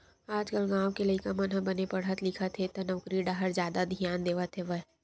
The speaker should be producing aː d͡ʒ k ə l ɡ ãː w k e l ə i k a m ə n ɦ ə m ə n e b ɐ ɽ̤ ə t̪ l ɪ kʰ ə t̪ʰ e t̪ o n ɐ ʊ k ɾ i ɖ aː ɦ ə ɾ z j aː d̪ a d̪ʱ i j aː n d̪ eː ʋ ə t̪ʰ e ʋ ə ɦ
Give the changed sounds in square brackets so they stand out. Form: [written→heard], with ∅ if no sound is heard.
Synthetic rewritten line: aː d͡ʒ k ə l ɡ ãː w k e l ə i k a m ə n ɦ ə [m→b] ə n e [b→p] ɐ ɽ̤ ə t̪ l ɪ kʰ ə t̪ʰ e t̪ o n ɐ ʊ k ɾ i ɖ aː ɦ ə ɾ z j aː d̪ a d̪ʱ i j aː n d̪ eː ʋ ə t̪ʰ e ʋ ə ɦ